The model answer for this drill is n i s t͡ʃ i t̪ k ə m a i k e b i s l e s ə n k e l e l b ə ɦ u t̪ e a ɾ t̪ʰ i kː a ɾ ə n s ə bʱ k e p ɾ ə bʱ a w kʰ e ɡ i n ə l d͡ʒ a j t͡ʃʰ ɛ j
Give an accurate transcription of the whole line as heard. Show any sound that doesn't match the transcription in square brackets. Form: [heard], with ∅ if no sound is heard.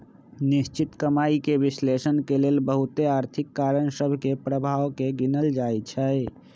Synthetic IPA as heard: n i s t͡ʃ i t̪ k ə m a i k e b i s l e s ə n k e l e l b ə ɦ u t̪ e a ɾ t̪ʰ i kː a ɾ ə n s ə bʱ k e p ɾ ə bʱ a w [k] e ɡ i n ə l d͡ʒ a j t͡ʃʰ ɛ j